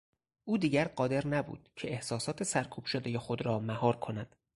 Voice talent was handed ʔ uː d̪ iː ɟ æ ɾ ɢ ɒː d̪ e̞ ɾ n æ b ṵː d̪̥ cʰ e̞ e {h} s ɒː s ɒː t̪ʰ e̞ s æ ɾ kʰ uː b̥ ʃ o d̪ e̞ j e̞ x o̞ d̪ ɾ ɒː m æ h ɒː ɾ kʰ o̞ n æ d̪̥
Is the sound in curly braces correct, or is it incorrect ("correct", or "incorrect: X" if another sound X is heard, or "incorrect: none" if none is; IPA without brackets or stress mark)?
correct